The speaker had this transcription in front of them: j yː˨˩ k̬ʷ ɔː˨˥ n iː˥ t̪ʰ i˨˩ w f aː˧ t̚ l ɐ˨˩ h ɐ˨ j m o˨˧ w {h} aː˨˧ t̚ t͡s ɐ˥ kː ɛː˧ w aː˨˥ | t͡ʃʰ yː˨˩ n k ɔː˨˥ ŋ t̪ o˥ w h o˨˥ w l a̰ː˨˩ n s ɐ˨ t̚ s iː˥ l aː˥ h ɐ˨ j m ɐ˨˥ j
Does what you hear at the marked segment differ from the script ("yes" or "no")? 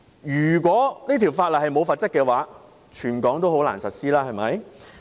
yes